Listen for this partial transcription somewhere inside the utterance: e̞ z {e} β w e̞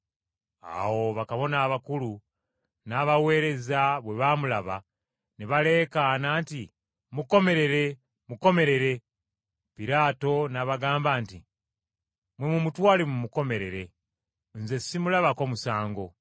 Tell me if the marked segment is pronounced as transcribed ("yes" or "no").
no